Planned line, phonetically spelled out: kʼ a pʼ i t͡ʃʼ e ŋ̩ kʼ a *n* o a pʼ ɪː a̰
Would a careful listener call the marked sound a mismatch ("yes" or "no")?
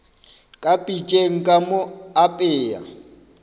yes